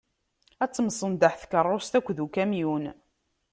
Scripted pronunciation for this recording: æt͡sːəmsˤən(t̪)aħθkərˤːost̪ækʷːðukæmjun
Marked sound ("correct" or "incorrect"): incorrect